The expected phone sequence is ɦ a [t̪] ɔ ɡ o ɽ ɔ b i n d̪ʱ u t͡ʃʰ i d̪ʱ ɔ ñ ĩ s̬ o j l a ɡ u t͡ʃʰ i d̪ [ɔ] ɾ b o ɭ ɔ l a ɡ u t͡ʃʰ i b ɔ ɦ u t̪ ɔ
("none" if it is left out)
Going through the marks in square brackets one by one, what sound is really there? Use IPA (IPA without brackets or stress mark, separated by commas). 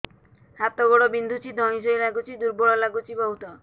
t̪, u